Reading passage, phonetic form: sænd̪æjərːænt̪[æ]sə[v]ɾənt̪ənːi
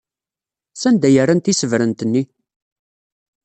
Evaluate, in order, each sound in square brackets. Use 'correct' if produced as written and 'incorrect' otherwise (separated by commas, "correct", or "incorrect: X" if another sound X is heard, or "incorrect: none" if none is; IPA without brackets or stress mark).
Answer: incorrect: i, correct